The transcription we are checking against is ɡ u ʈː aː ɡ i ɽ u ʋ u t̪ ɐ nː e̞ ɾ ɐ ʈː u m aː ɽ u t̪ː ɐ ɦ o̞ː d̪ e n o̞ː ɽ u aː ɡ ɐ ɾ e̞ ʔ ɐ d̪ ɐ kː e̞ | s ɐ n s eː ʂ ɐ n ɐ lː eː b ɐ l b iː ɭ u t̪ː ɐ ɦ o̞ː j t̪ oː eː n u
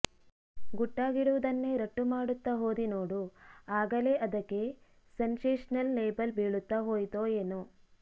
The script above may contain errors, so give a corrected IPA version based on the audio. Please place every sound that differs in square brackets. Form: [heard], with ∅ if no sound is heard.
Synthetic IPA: ɡ u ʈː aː ɡ i ɽ u ʋ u [d̪] ɐ nː e̞ ɾ ɐ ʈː u m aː ɽ u t̪ː ɐ ɦ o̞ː d̪ [i] n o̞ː ɽ u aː ɡ ɐ [l] e̞ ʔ ɐ d̪ ɐ kː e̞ | s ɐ n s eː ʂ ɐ n ɐ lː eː b ɐ l b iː ɭ u t̪ː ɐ ɦ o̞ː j t̪ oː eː n u